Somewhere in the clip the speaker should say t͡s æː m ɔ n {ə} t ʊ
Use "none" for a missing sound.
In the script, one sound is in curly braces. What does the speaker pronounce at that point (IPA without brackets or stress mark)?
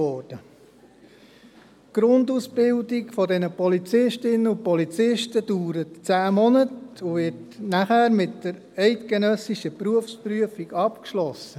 ə